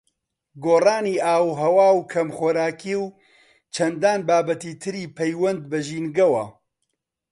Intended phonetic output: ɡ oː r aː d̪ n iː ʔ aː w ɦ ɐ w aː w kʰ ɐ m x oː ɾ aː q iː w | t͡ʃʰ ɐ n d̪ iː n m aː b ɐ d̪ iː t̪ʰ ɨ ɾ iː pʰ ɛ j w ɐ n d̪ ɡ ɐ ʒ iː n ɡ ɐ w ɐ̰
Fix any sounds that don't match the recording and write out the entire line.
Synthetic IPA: ɡ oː r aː n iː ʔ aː w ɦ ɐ w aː w kʰ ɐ m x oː ɾ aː k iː w | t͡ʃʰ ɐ n d̪ aː n b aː b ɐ t̪ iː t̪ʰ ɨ ɾ iː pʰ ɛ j w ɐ n d̪ b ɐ ʒ iː n ɡ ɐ w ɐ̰